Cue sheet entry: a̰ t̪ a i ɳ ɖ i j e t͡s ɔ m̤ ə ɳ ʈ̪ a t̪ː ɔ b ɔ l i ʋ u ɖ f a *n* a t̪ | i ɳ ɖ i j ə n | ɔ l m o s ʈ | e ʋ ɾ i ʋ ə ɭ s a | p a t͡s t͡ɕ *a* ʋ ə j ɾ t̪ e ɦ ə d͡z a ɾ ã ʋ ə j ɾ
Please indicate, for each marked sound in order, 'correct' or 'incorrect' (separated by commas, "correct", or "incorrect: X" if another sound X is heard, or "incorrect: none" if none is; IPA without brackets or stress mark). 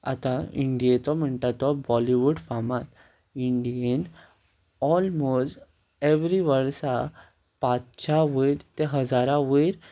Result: incorrect: m, correct